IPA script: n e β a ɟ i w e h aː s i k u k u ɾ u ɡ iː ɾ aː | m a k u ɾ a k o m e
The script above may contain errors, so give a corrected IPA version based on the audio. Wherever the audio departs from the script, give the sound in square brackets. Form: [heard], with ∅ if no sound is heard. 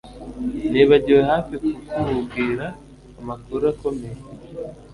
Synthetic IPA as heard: n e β a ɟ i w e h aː [f] i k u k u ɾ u ɡ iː ɾ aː | m a k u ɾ a k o m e